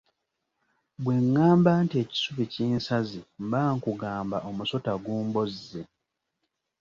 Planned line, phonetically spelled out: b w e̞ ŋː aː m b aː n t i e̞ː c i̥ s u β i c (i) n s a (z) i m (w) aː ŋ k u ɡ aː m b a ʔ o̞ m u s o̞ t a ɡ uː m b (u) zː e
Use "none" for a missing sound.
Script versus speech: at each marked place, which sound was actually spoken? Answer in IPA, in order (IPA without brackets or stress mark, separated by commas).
iː, z, b, o